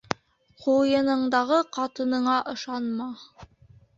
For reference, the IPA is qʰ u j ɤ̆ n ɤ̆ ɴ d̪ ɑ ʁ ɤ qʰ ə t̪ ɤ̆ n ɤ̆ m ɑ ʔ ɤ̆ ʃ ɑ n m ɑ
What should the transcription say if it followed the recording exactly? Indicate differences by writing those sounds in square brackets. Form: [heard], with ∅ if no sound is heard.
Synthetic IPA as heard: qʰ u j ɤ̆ n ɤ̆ ɴ d̪ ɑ ʁ ɤ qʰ [ɑ] t̪ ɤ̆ n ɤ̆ [ɴ] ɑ ʔ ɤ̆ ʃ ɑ n m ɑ